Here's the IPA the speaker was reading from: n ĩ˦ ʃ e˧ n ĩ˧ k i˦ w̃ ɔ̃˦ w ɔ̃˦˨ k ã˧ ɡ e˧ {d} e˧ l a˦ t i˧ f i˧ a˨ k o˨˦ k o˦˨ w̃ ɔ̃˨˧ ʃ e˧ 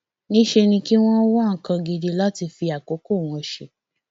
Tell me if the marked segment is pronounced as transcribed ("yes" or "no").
yes